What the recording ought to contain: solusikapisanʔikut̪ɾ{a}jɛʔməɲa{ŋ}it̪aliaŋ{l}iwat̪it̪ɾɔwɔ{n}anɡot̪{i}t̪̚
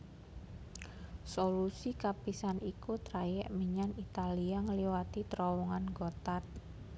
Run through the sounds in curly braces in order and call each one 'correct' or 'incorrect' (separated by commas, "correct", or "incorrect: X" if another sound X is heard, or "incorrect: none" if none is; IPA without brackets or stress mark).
correct, incorrect: n, correct, incorrect: ŋ, incorrect: a